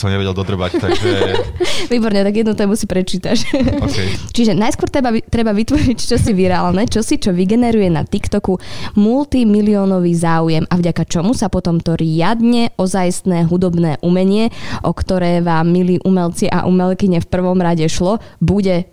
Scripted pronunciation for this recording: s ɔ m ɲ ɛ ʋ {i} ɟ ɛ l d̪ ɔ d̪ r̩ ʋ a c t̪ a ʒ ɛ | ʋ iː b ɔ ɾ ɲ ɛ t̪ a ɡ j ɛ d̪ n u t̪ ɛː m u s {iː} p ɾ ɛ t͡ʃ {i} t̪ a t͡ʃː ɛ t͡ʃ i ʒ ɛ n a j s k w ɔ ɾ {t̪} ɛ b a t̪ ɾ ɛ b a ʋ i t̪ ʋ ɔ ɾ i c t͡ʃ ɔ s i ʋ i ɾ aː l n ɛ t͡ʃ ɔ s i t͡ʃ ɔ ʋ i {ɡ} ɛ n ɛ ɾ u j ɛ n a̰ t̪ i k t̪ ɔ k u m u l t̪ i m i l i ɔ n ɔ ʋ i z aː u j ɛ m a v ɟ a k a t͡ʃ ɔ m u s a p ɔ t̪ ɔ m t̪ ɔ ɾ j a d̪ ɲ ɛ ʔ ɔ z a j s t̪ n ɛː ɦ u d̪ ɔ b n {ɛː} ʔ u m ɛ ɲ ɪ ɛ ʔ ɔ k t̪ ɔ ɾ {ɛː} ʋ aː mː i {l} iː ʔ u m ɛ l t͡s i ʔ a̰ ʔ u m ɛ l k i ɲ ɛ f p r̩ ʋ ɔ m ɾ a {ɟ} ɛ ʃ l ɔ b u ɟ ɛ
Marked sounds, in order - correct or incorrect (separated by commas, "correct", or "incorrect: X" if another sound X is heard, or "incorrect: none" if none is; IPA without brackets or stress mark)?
incorrect: ɛ, incorrect: i, incorrect: iː, correct, correct, correct, correct, correct, correct